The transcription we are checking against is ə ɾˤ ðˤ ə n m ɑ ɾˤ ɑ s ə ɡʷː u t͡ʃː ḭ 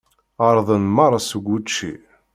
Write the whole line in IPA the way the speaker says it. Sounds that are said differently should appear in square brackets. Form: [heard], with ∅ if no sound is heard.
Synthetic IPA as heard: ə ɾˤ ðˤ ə n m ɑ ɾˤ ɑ s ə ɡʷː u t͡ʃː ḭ